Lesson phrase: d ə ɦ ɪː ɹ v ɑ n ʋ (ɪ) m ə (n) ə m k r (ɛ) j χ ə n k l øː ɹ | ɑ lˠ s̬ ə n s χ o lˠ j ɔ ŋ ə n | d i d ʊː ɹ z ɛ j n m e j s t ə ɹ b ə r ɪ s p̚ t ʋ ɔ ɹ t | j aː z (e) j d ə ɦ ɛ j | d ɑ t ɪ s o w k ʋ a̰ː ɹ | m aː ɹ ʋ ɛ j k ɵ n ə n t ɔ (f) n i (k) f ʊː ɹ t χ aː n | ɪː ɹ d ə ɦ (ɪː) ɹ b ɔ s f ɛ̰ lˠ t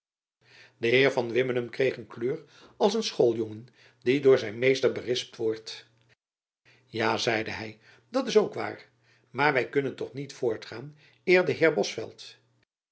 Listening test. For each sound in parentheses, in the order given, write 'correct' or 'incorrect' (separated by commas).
correct, correct, incorrect, incorrect, incorrect, incorrect, correct